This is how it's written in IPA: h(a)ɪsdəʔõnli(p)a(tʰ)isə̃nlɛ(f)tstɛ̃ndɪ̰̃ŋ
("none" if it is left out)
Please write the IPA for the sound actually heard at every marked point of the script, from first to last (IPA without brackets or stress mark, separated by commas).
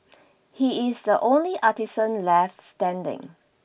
i, ʔ, t, f